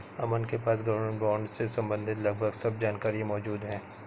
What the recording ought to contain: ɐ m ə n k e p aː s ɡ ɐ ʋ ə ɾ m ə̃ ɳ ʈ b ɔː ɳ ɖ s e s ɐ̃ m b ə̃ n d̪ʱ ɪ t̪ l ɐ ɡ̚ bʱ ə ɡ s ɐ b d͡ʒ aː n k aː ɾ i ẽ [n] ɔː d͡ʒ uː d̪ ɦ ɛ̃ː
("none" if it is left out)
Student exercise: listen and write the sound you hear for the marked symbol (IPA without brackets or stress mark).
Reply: m